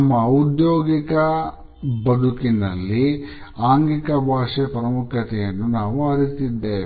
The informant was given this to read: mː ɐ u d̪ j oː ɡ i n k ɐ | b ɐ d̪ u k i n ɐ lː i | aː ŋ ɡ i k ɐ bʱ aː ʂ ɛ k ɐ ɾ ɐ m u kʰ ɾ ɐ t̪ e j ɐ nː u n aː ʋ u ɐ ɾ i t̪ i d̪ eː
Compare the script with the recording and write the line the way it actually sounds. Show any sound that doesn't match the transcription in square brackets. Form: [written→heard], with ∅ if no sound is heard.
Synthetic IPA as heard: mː ɐ u d̪ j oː ɡ i [n→∅] k ɐ | b ɐ d̪ u k i n ɐ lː i | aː ŋ ɡ i k ɐ bʱ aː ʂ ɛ [k→p] ɐ ɾ ɐ m u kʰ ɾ ɐ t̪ [e→ɛ] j ɐ nː u n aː ʋ u ɐ ɾ i t̪ i [d̪→d̪ː] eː